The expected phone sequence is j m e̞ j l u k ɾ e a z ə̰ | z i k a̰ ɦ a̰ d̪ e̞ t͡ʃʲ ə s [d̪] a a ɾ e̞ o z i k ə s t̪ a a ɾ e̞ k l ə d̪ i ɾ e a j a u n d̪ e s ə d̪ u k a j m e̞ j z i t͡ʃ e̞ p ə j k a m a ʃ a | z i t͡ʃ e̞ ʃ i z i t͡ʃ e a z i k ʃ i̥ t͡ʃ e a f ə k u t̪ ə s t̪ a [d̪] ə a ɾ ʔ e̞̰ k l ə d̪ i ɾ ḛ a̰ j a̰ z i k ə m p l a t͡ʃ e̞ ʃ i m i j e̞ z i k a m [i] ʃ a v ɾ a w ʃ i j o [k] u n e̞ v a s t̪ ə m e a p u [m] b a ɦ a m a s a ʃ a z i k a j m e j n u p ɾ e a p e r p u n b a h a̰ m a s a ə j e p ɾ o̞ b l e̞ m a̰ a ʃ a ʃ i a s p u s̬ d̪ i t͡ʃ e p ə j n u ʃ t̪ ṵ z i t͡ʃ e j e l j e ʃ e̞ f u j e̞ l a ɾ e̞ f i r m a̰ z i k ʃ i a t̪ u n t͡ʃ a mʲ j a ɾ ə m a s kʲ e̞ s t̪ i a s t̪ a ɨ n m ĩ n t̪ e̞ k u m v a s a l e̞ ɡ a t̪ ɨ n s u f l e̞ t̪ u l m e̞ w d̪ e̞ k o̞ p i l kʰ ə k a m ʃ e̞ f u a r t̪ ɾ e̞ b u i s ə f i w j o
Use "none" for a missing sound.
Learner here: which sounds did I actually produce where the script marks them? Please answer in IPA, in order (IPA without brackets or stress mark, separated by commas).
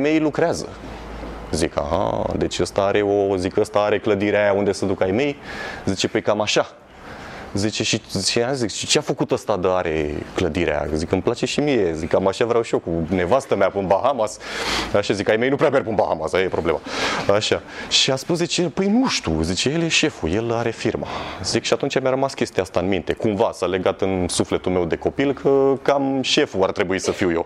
t̪, d̪, a, k, n